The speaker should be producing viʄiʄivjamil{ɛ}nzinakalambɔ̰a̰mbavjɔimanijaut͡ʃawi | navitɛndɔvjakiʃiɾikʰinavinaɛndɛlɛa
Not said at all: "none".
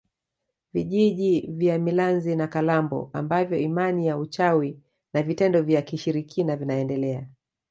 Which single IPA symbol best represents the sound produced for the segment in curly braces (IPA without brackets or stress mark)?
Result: a